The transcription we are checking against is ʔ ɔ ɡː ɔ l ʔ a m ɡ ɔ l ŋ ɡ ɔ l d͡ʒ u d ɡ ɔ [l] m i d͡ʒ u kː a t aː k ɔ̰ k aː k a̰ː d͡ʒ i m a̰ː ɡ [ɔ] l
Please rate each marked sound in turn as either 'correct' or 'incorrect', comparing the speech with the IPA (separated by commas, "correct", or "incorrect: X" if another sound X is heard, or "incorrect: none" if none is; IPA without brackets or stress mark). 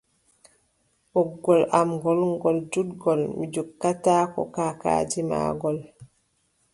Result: correct, correct